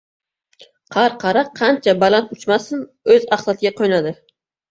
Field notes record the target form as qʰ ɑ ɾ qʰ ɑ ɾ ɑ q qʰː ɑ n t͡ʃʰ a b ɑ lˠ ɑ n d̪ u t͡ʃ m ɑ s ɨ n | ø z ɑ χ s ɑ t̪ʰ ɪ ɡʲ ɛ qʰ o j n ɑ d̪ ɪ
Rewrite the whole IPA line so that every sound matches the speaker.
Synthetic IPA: qʰ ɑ ɾ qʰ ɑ ɾ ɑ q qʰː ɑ n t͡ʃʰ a b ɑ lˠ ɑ n t̪ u t͡ʃ m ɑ s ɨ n | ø z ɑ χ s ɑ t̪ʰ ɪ ɡʲ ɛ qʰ o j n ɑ d̪ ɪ